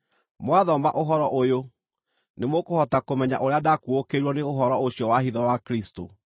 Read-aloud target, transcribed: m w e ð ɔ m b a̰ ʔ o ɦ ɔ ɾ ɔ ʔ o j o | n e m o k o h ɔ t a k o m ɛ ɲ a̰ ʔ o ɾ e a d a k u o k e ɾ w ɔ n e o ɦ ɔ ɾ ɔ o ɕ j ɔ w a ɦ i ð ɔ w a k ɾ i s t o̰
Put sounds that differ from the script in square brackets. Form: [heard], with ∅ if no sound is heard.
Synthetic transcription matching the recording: m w [a] ð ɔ m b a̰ ʔ o ɦ ɔ ɾ ɔ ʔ o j o | n e m o k o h ɔ t a k o m ɛ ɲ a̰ ʔ o ɾ e a d a k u o k e ɾ w ɔ n e o ɦ ɔ ɾ ɔ o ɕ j ɔ w a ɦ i ð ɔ w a k ɾ i s t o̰